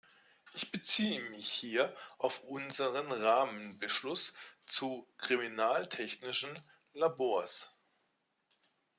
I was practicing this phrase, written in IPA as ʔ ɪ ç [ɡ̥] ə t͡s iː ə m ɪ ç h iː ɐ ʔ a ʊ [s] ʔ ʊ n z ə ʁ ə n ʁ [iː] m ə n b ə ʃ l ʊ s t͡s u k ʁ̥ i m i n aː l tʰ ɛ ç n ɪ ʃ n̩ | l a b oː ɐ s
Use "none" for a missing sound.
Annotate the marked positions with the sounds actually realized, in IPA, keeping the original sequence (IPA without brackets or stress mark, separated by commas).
b̥, f, aː